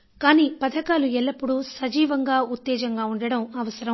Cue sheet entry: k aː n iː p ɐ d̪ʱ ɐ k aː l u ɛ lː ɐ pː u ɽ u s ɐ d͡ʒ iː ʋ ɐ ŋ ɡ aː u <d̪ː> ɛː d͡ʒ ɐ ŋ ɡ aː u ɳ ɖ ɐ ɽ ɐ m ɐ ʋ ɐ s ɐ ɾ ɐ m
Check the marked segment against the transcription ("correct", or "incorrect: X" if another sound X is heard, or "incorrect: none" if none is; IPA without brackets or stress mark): incorrect: t̪ː